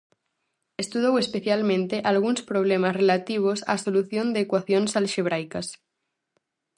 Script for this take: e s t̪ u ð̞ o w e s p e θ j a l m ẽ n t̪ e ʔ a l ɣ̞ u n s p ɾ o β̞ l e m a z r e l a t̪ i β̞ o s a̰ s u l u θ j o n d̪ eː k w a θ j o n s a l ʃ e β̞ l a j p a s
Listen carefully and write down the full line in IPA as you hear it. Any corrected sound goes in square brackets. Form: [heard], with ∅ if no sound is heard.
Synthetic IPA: e s t̪ u ð̞ o w e s p e θ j a l m ẽ n t̪ e ʔ a l ɣ̞ u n s p ɾ o β̞ l e m a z r e l a t̪ i β̞ o s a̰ s [o] l u θ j o n d̪ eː k w a θ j o n s a l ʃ e β̞ [ɾ] a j [k] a s